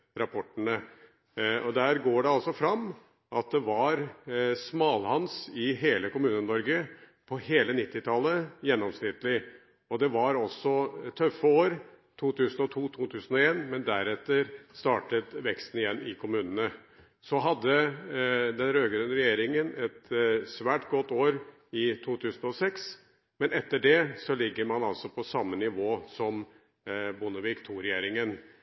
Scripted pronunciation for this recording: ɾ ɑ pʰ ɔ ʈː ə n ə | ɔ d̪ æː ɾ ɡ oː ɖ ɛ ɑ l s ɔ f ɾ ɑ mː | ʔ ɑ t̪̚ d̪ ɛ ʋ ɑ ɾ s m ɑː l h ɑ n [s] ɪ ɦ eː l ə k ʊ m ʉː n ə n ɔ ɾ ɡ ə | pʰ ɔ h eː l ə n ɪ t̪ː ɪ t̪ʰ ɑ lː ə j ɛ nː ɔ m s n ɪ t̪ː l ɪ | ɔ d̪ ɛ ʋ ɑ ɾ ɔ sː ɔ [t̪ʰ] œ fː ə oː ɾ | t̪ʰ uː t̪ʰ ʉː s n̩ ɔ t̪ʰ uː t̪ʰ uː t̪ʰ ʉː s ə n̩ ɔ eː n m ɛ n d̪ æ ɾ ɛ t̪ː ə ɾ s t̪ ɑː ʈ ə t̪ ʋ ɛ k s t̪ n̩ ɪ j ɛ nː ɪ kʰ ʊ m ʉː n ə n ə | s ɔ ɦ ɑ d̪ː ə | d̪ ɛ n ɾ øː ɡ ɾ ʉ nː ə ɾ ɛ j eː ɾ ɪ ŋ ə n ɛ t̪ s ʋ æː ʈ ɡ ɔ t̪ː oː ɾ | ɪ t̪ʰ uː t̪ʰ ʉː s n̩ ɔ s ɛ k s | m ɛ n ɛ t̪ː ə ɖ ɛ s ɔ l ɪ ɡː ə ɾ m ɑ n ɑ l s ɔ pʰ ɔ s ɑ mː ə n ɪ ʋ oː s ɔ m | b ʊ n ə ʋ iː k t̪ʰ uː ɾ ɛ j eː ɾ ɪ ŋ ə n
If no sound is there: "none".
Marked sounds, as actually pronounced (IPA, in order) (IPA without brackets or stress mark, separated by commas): s, t̪ʰ